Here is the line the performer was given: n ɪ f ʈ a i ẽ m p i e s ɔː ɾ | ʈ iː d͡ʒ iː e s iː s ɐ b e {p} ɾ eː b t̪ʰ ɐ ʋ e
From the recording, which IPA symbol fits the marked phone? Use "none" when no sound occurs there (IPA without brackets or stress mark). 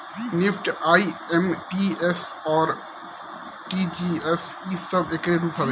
k